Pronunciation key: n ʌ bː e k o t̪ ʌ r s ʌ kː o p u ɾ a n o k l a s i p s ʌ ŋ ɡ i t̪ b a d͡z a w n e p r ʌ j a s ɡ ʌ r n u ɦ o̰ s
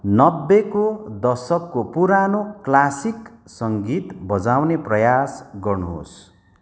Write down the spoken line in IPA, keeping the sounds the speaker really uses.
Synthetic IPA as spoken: n ʌ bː e k o d̪ ʌ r s ʌ kː o p u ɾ a n o k l a s i k s ʌ ŋ ɡ i t̪ b ʌ d͡z a w n e p r ʌ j a s ɡ ʌ r n u ɦ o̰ s